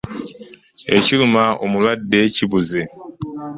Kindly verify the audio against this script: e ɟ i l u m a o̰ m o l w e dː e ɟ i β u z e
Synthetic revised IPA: e c i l u m a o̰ m u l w a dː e c i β u z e